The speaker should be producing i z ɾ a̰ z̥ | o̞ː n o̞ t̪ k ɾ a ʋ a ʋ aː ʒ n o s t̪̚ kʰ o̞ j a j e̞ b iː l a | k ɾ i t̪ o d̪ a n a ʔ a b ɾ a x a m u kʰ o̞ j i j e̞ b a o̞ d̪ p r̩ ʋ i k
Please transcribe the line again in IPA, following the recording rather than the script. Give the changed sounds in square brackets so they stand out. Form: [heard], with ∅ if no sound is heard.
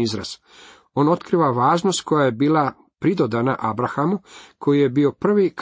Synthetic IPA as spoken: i z ɾ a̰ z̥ | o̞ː n o̞ t̪ k ɾ [i] ʋ a ʋ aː ʒ n o s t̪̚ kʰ o̞ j a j e̞ b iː l a | [p] ɾ i [d̪] o d̪ a n a ʔ a b ɾ a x a m u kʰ o̞ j i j e̞ b [i] o̞ [∅] p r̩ ʋ i k